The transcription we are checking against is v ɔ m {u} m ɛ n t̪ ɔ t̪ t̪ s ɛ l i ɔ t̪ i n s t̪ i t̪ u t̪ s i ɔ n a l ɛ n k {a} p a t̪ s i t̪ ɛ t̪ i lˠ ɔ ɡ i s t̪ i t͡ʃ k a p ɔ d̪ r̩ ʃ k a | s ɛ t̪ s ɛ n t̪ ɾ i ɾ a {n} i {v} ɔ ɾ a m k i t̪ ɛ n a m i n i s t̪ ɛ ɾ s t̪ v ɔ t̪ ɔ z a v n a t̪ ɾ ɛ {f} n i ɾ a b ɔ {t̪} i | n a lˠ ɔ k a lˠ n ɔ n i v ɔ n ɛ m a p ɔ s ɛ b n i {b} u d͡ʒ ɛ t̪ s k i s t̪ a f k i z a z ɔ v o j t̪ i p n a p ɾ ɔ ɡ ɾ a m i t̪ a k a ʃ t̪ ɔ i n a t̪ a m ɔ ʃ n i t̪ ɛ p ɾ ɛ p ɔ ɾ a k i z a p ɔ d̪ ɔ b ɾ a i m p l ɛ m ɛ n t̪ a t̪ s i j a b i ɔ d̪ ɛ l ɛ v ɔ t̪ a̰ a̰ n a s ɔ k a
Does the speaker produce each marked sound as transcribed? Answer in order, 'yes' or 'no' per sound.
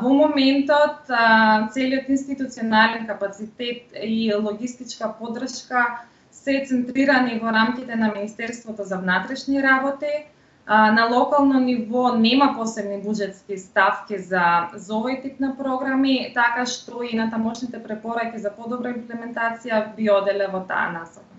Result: no, yes, yes, yes, no, yes, yes

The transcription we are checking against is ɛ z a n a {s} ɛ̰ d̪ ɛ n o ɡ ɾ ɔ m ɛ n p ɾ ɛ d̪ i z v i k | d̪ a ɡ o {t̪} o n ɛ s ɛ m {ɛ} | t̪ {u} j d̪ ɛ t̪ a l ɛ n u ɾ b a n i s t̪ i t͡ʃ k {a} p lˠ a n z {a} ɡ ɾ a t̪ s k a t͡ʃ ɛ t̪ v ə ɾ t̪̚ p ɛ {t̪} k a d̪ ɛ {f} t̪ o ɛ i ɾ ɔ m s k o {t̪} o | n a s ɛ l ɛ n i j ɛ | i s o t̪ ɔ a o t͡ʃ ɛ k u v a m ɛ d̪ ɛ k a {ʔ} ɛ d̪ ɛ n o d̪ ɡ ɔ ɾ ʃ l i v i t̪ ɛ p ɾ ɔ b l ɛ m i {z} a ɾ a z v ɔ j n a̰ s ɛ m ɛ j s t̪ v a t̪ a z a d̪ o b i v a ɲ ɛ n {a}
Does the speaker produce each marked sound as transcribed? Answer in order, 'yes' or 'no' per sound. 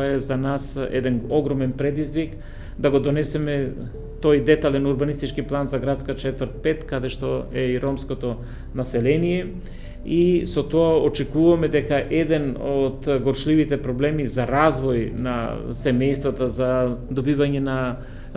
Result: yes, no, yes, no, no, yes, yes, no, yes, yes, yes, yes

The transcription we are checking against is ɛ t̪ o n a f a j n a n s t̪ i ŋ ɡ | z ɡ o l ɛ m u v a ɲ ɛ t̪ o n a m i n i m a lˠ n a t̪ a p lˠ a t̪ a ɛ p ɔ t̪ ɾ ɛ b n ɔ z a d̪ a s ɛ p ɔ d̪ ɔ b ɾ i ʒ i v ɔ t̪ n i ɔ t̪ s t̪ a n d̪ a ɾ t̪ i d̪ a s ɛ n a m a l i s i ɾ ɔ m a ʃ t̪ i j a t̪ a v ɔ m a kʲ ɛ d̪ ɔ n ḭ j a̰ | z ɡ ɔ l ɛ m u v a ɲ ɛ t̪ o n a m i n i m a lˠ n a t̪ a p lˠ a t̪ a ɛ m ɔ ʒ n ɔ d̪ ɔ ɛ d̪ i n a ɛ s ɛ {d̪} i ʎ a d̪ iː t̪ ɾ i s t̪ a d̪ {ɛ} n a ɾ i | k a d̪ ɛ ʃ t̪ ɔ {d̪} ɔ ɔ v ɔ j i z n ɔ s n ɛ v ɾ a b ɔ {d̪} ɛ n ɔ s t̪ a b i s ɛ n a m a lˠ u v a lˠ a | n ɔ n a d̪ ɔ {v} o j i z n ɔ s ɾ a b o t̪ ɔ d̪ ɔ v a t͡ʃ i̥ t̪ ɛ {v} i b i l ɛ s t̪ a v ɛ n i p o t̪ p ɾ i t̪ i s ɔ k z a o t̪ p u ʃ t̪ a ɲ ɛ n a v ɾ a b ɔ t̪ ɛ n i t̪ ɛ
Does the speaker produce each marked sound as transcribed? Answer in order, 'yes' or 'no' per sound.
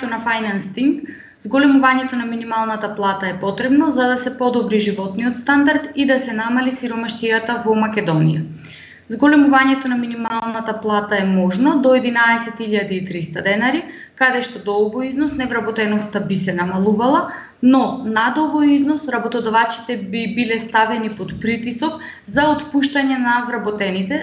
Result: no, yes, yes, no, yes, no

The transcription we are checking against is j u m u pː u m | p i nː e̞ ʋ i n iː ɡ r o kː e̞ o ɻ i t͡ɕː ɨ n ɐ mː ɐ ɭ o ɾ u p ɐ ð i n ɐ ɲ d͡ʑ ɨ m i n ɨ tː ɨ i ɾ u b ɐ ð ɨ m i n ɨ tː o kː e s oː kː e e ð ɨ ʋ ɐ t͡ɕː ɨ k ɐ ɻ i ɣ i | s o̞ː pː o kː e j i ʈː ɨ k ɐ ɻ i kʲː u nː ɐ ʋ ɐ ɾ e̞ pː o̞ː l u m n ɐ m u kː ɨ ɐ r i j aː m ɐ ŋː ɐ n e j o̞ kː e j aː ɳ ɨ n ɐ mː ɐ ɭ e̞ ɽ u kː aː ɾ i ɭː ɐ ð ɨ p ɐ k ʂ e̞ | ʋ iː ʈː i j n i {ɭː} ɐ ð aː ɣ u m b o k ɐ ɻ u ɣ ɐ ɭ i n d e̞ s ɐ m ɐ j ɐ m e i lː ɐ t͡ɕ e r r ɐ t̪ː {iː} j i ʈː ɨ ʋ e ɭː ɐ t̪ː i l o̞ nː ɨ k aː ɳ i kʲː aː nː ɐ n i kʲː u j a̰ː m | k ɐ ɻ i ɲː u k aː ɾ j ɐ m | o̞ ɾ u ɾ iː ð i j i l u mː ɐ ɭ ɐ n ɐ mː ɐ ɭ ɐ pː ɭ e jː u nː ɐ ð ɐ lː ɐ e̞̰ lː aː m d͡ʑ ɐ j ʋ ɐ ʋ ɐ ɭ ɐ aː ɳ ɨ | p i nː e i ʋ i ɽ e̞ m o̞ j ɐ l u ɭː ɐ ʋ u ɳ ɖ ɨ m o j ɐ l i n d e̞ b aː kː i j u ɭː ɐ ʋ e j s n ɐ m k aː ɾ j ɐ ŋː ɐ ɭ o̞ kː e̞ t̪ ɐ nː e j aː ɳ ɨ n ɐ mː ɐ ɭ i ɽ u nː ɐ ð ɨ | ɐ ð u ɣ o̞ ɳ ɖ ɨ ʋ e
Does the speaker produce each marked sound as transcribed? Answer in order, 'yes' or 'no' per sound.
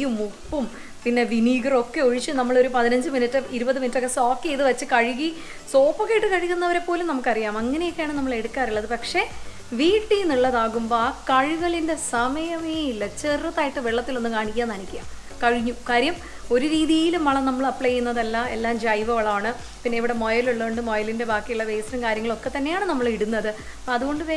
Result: yes, no

